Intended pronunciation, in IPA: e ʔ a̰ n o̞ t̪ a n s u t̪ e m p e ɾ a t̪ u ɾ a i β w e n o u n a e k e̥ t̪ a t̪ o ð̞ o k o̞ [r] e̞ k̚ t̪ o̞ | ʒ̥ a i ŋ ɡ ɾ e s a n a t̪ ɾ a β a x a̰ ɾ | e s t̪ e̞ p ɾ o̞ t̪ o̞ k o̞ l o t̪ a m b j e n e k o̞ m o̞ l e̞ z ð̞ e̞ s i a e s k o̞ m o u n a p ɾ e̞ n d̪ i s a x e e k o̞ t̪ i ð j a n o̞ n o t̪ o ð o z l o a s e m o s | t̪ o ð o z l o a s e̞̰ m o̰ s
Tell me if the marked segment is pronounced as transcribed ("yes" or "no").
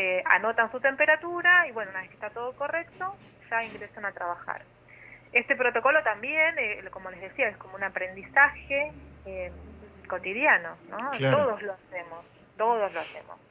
yes